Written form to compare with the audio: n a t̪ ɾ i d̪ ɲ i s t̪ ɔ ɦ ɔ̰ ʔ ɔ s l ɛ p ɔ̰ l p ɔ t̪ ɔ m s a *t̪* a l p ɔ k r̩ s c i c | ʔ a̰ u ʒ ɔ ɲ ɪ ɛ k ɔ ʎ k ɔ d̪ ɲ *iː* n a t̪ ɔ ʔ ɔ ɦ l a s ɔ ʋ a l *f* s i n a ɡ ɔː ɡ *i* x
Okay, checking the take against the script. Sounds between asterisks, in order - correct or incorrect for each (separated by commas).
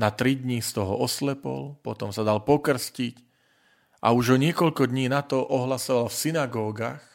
incorrect, correct, correct, incorrect